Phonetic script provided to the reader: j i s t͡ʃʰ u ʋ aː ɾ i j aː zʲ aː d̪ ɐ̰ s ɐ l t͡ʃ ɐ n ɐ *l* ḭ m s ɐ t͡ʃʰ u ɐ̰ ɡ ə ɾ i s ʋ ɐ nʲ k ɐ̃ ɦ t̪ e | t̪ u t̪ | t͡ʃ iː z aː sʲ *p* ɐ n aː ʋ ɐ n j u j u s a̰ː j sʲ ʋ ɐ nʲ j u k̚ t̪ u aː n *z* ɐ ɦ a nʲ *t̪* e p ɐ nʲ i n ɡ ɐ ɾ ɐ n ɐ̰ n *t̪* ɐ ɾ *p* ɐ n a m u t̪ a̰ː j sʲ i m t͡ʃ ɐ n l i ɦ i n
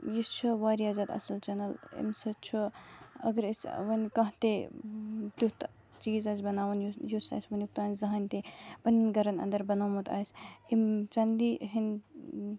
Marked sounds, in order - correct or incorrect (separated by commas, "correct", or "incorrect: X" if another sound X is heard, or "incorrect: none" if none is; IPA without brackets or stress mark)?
correct, incorrect: b, correct, correct, incorrect: d̪, incorrect: b